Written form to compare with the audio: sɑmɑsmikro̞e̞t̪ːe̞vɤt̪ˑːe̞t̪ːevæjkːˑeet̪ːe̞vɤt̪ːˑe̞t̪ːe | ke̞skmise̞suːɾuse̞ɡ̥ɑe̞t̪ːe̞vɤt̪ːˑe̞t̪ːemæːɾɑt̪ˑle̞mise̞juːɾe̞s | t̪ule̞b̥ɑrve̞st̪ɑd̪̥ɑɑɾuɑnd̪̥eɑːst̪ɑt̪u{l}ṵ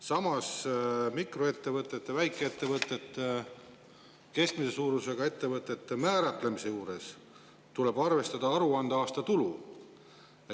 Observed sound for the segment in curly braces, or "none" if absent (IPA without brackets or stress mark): l